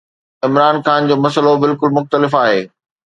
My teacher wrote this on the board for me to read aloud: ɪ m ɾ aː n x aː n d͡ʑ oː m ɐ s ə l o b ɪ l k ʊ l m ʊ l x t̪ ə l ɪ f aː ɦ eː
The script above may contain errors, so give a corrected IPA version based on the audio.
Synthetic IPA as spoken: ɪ m ɾ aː n x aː n d͡ʑ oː m ɐ s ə l o b ɪ l k ʊ l m ʊ x t̪ ə l ɪ f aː ɦ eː